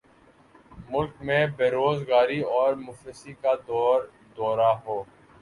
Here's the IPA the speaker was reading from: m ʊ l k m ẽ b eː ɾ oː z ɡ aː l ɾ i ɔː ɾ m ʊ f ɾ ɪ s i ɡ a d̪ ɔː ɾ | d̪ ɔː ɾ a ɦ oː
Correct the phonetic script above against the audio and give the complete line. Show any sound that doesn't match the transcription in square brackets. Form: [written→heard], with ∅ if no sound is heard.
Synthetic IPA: m ʊ l k m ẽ b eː ɾ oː z ɡ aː [l→∅] ɾ i ɔː ɾ m ʊ f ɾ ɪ s i [ɡ→k] a d̪ ɔː ɾ | d̪ ɔː ɾ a ɦ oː